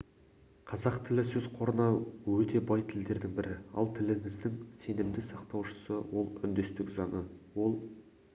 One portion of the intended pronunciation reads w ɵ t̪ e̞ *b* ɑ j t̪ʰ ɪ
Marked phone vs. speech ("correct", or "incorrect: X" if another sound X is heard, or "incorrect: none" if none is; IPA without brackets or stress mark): correct